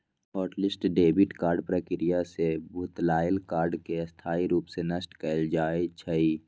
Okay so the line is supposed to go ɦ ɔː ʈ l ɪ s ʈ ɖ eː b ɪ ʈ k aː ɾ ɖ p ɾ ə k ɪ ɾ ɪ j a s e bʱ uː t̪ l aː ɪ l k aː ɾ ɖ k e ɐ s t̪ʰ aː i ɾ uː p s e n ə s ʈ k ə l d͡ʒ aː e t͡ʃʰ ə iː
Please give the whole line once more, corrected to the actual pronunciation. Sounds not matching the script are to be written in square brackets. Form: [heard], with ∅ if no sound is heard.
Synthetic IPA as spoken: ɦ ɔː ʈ l ɪ s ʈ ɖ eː b ɪ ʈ k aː ɾ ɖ p ɾ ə k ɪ ɾ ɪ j a s e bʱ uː t̪ l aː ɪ l k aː ɾ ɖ k e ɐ s t̪ʰ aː i ɾ uː p s e n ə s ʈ k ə l d͡ʒ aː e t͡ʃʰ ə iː